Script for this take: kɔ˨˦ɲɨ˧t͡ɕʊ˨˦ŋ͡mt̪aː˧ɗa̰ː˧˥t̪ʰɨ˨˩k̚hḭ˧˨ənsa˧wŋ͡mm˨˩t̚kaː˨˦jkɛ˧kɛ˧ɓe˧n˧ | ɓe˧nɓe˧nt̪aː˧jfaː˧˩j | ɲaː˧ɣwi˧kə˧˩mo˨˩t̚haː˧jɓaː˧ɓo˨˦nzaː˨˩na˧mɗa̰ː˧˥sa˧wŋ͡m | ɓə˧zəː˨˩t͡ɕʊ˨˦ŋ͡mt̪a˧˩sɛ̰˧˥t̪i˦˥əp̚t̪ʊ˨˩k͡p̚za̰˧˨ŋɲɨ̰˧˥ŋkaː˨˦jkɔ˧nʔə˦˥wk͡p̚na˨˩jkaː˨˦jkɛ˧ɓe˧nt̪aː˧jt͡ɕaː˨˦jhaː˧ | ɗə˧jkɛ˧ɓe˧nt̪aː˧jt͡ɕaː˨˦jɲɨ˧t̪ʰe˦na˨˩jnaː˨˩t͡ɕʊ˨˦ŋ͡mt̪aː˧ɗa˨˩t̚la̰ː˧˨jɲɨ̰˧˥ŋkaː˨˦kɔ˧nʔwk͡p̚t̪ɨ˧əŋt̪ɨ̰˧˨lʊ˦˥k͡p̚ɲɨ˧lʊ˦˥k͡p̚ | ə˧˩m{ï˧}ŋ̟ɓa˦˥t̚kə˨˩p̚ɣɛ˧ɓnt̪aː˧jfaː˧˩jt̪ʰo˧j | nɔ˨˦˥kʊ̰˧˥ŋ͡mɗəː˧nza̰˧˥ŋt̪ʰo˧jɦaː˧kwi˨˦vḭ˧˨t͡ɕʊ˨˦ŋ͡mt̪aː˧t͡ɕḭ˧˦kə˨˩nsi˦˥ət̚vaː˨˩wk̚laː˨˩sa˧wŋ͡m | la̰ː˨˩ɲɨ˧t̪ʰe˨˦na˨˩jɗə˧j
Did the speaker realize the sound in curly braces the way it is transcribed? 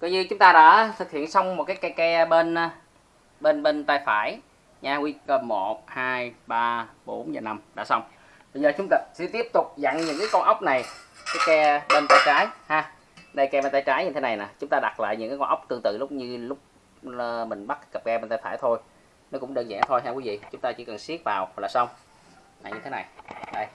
no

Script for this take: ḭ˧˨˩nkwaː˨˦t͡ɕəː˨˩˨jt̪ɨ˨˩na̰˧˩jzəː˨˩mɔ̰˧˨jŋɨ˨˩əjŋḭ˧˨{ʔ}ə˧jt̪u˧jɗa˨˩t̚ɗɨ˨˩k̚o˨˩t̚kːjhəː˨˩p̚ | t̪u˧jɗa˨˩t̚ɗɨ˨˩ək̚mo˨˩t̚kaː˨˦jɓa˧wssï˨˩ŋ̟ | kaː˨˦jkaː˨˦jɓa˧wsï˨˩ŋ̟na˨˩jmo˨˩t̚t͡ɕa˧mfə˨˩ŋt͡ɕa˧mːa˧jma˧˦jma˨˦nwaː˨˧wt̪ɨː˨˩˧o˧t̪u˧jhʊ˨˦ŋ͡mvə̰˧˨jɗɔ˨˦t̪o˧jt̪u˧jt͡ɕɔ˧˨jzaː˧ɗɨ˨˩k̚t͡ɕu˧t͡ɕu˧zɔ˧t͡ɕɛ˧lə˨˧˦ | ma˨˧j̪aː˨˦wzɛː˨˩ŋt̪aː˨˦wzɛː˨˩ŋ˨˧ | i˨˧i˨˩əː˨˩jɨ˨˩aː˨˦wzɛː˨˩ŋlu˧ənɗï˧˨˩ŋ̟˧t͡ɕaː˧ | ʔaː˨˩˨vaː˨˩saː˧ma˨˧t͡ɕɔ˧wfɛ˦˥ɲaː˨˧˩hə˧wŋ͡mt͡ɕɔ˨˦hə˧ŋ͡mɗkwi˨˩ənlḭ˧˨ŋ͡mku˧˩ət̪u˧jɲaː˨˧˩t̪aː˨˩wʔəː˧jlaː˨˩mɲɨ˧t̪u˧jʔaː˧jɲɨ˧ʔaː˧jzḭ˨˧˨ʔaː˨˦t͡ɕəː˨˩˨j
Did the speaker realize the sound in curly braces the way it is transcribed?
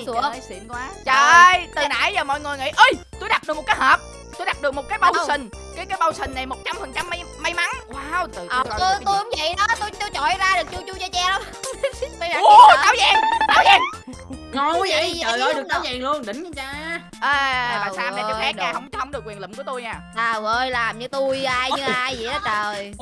yes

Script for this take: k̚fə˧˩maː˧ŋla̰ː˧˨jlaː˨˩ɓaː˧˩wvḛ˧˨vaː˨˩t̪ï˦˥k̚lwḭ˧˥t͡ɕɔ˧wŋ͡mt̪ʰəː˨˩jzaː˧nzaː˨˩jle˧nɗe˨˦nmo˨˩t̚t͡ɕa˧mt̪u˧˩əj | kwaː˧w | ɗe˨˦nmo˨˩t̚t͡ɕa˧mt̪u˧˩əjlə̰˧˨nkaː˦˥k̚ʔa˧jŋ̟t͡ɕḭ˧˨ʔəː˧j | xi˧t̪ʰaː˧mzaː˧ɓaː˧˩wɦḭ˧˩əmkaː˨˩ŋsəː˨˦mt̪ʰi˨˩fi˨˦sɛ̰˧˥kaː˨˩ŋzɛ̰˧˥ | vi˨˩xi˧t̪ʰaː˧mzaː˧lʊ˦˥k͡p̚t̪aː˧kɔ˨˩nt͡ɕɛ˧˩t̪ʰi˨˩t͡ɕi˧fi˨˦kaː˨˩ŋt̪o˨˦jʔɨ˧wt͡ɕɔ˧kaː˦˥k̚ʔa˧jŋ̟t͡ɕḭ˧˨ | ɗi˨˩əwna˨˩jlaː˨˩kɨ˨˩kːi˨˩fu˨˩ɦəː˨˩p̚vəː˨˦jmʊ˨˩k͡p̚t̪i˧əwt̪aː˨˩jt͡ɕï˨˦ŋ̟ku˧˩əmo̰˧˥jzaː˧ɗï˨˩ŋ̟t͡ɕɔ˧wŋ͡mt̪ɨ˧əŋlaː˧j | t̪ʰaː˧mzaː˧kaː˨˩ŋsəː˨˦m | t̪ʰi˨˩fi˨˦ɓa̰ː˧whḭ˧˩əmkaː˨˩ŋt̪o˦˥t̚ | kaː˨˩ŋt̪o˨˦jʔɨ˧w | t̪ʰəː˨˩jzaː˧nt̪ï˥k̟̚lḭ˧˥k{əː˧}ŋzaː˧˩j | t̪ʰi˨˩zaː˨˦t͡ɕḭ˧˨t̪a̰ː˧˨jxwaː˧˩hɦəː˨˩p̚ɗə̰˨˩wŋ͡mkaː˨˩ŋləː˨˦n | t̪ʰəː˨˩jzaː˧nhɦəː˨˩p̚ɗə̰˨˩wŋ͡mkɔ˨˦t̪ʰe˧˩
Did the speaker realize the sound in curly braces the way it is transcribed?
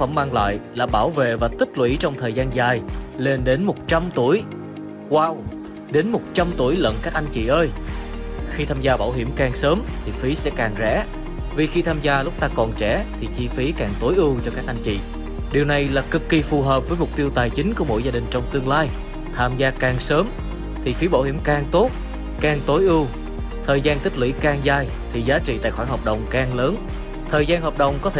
no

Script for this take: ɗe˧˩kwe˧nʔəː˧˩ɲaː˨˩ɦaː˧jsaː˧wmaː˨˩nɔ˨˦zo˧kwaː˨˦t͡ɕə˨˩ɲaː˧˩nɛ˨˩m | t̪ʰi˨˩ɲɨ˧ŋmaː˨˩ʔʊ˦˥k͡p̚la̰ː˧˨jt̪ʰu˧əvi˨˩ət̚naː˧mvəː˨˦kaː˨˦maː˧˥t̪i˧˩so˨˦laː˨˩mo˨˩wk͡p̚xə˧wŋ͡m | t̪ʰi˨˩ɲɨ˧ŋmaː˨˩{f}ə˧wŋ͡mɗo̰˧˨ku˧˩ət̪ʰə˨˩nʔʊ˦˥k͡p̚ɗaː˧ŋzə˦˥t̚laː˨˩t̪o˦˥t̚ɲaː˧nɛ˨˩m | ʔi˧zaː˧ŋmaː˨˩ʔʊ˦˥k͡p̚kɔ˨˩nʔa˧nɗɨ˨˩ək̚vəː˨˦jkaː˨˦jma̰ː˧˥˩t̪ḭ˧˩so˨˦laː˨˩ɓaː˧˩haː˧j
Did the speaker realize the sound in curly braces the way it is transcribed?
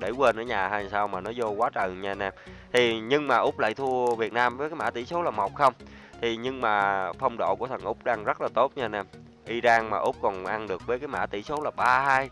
yes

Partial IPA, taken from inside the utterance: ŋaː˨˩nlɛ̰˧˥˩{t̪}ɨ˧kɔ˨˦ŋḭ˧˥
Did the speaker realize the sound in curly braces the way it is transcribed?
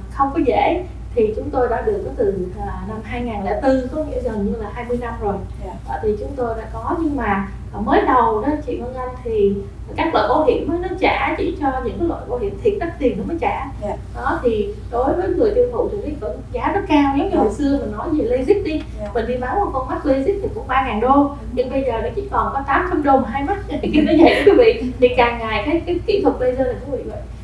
yes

